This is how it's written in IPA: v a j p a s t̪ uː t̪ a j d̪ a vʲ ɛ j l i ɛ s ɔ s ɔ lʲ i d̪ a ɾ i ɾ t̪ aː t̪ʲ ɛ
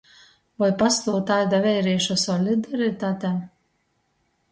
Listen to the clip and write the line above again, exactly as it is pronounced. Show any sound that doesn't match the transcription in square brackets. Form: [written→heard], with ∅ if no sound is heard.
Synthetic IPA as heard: v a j p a s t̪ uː t̪ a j d̪ a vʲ ɛ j [l→ɾ] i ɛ [s→ʃ] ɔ s ɔ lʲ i d̪ a ɾ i [ɾ→∅] t̪ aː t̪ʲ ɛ